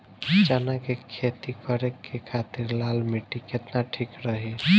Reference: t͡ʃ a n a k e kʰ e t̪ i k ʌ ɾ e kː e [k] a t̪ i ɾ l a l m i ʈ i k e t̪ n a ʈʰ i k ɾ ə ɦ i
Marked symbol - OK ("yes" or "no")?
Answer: no